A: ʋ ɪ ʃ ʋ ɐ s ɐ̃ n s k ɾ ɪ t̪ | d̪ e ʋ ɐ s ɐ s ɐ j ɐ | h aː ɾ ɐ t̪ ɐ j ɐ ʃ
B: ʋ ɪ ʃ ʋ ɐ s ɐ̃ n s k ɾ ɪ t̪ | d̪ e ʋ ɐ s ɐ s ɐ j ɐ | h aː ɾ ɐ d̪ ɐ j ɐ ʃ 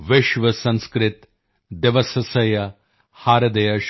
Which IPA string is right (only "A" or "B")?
B